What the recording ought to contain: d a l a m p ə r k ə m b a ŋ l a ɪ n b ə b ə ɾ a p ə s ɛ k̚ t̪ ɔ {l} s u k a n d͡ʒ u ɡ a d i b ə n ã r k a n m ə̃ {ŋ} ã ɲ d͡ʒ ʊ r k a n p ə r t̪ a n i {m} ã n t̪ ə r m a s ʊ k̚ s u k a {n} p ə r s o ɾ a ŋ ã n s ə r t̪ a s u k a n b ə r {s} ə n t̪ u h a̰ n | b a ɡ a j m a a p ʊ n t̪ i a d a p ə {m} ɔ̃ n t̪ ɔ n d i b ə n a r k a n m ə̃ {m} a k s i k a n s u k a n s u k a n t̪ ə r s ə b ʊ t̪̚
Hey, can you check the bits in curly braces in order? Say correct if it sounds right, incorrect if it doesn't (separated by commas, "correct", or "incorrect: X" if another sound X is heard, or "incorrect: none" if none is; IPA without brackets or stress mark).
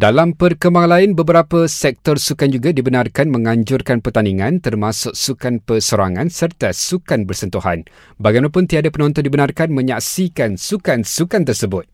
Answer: incorrect: r, correct, incorrect: ŋ, correct, correct, incorrect: n, incorrect: ɲ